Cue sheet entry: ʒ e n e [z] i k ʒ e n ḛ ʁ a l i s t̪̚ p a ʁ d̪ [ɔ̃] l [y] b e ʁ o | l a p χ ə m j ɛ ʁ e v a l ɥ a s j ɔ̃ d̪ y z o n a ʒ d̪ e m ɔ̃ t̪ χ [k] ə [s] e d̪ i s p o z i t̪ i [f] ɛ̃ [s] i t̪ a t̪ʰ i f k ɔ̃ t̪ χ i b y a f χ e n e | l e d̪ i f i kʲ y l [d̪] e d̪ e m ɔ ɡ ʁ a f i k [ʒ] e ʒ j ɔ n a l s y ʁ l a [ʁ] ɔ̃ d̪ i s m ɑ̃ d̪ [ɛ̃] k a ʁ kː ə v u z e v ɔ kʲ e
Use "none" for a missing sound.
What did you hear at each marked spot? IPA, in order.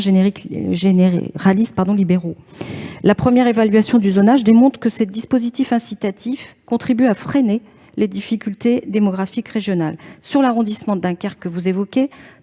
ʁ, ɔ̃, i, k, s, f, s, t̪, ʁ, ʁ, ɛ̃

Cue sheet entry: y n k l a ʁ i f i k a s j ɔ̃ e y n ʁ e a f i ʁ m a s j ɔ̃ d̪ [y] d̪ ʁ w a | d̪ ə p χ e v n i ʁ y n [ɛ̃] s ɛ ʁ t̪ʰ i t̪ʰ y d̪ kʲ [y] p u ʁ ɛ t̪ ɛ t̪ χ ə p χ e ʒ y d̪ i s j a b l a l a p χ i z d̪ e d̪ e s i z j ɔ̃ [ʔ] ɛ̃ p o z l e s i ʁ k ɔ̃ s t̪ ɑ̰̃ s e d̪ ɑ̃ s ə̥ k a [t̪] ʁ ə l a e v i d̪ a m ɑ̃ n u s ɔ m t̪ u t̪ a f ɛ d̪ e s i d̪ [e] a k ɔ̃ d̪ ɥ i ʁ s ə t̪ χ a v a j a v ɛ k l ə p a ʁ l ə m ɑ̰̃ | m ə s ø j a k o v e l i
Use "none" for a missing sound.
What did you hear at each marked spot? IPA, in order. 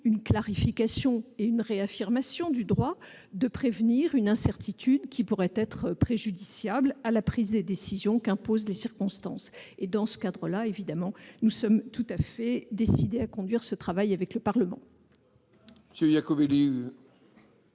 y, ɛ̃, i, k, d̪, e

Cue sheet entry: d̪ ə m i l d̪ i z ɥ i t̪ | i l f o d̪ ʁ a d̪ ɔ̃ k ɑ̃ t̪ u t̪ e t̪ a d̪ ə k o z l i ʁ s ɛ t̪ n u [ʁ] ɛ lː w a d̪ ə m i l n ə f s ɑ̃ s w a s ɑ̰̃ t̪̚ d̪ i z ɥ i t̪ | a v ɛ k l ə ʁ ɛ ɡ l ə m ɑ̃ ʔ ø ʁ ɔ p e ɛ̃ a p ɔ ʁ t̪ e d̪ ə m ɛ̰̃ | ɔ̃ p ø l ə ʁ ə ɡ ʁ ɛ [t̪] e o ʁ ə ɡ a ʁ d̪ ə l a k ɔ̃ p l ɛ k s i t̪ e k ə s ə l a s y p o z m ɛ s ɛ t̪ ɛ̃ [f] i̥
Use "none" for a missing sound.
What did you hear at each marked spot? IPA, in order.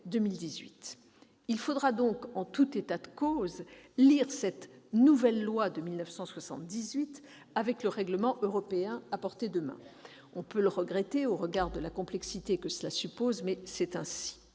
v, t̪, s

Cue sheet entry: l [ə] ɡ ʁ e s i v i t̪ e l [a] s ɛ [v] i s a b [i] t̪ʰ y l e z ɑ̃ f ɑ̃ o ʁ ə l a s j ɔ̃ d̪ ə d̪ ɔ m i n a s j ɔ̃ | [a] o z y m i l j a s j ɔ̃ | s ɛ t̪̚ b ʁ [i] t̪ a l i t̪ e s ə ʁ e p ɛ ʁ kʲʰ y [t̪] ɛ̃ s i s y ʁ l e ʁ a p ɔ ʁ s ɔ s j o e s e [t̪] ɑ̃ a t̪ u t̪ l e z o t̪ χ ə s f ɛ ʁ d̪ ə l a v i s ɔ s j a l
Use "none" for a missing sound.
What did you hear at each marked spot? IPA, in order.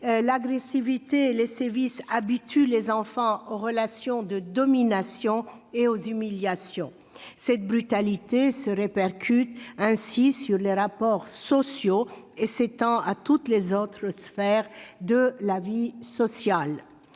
a, e, v, i, e, y, t̪, t̪

